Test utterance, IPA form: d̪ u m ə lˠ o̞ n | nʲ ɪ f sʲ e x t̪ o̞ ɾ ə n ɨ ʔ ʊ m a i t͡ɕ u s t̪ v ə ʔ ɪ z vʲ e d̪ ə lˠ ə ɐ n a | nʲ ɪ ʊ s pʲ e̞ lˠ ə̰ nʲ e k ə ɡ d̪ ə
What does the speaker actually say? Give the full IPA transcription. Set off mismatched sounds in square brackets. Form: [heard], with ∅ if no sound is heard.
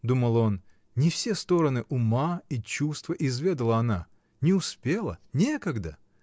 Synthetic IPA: d̪ u m ə lˠ o̞ n | nʲ ɪ f sʲ e [s] t̪ o̞ ɾ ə n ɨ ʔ ʊ m a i t͡ɕ u s t̪ v ə ʔ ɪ z vʲ e d̪ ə lˠ ə ɐ n a | nʲ ɪ ʊ s pʲ e̞ lˠ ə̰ nʲ e k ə ɡ d̪ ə